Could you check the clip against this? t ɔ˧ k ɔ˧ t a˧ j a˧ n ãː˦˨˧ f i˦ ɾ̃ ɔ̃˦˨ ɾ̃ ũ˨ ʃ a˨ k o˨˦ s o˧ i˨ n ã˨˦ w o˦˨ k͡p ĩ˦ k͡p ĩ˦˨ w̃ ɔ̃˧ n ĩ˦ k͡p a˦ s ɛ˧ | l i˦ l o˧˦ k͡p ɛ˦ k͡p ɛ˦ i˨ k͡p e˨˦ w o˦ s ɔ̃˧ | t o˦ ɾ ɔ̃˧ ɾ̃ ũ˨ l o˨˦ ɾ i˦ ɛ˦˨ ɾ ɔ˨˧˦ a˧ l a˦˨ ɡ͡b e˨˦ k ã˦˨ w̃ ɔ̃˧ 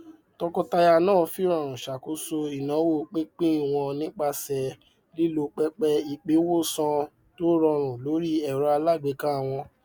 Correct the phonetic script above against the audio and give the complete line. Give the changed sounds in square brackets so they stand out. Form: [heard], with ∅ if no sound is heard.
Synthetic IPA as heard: t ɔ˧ k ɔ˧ t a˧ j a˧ n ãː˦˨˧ f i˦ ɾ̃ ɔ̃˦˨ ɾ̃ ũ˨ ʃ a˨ k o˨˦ s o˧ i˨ n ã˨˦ w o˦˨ k͡p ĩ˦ k͡p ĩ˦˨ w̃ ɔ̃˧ n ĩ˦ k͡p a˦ s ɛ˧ | l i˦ l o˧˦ k͡p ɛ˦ k͡p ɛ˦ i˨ k͡p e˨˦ w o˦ s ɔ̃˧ | t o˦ ɾ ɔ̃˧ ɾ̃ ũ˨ l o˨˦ ɾ i˦ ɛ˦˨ ɾ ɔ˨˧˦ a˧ l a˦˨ ɡ͡b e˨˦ k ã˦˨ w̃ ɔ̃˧